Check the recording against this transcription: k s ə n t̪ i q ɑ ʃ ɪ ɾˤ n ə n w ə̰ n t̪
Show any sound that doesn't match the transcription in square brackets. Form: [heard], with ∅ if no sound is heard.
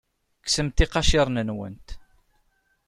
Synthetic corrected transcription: k s ə [m] t̪ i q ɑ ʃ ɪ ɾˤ n ə n w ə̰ n t̪